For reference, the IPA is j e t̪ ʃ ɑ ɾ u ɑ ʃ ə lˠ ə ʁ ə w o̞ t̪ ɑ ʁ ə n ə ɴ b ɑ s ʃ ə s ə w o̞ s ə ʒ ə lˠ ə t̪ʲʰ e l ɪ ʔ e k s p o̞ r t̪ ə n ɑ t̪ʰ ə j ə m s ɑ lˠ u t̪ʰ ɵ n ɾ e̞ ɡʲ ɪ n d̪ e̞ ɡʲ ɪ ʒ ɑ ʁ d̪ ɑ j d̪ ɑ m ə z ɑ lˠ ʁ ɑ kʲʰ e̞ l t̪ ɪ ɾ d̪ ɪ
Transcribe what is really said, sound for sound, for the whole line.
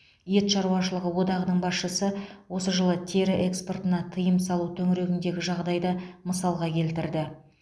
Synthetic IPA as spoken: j e t̪ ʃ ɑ ɾ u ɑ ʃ ə lˠ ə ʁ ə w o̞ d̪ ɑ ʁ ə n ə ɴ b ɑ s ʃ ə s ə w o̞ s ə ʒ ə lˠ ə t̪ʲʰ e ɾ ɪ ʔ e k s p o̞ r t̪ ə n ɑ t̪ʰ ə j ə m s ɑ lˠ u t̪ʰ ɵ ŋ ɾ e̞ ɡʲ ɪ n d̪ e̞ ɡʲ ɪ ʒ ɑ ʁ d̪ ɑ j d̪ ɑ m ə s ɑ lˠ ʁ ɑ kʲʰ e̞ l t̪ ɪ ɾ d̪ ɪ